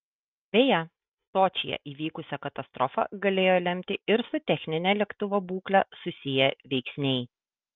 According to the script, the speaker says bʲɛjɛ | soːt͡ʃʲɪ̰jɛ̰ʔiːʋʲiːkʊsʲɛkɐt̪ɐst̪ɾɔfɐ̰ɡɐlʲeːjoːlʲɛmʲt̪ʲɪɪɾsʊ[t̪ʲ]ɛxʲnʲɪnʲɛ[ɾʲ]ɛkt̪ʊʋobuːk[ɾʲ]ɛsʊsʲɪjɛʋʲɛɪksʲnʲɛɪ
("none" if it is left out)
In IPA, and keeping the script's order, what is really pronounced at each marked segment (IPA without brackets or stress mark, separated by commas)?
t̪ʲ, lʲ, lʲ